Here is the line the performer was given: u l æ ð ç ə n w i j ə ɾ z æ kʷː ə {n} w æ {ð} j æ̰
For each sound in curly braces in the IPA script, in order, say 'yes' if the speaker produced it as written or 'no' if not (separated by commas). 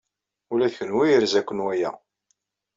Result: yes, no